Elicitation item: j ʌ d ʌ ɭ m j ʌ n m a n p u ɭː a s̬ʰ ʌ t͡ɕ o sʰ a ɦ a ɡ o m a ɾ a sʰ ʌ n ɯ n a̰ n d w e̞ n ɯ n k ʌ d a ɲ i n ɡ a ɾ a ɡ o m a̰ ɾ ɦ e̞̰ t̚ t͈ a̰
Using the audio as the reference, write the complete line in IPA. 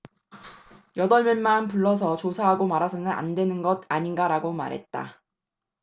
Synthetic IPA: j ʌ d ʌ ɭ m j ʌ n m a n p u ɭː ʌ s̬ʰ ʌ t͡ɕ o sʰ a ɦ a ɡ o m a ɾ a sʰ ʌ n ɯ n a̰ n d w e̞ n ɯ n ɡ ʌ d a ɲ i n ɡ a ɾ a ɡ o m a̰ ɾ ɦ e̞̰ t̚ t͈ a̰